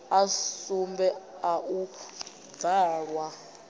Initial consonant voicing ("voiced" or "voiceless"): voiceless